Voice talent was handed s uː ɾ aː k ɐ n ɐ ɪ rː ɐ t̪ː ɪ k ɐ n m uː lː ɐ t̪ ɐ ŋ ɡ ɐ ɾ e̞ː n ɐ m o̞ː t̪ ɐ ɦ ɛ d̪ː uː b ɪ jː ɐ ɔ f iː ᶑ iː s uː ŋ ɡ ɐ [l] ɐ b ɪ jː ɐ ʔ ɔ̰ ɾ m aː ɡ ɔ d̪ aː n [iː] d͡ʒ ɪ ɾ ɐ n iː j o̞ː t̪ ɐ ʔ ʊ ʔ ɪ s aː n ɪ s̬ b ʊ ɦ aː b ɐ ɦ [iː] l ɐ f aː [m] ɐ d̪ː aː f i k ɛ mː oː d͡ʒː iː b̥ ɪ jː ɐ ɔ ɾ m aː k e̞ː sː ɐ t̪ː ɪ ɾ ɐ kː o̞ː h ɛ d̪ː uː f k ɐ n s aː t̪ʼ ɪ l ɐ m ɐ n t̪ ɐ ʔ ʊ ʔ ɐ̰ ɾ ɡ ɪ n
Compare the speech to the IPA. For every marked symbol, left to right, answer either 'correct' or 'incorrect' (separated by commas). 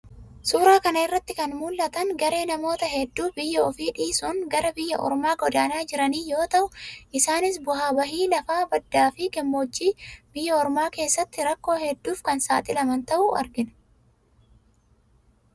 incorrect, incorrect, correct, incorrect